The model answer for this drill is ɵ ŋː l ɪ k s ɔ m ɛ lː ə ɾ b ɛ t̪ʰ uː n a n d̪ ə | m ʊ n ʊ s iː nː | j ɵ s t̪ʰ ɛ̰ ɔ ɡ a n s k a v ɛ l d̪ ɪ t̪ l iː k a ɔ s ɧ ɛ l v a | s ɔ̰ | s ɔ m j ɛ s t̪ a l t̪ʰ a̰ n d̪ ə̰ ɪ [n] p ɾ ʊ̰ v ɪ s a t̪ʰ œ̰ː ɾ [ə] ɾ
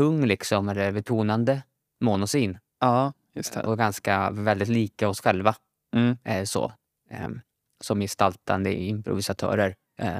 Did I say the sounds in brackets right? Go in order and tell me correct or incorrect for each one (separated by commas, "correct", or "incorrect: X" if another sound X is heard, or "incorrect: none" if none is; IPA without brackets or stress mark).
incorrect: m, correct